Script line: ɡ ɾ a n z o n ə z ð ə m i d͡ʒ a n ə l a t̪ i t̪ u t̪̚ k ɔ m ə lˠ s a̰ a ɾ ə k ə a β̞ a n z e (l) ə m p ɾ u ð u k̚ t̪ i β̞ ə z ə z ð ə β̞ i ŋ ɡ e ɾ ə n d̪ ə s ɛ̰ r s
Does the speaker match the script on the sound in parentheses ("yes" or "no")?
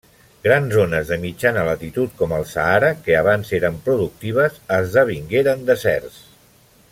no